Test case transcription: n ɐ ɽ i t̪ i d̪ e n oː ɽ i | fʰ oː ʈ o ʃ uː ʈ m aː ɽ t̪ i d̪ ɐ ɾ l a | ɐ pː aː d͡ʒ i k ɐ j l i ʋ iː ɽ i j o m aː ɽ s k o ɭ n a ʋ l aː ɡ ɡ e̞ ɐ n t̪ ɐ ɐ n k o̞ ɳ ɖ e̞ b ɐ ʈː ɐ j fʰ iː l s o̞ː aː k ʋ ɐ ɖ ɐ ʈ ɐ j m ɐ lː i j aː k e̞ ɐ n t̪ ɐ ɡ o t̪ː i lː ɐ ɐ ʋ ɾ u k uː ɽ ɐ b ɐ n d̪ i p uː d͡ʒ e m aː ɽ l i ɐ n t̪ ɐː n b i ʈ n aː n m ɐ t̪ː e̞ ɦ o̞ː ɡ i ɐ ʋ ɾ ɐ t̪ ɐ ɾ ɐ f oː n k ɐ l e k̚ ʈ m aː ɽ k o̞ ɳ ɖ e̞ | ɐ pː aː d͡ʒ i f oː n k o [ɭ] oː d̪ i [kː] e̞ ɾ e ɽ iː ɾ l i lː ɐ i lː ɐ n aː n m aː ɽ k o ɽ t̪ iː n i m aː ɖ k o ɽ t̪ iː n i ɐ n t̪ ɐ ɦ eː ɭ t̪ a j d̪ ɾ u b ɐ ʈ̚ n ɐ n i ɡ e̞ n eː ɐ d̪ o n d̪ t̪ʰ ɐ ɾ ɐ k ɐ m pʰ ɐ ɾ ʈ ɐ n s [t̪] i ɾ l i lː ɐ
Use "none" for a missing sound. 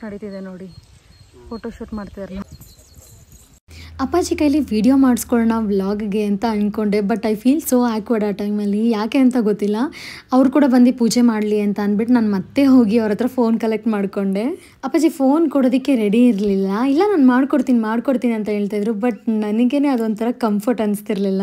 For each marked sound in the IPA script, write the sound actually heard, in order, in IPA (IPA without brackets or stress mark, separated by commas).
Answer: ɽ, kː, t̪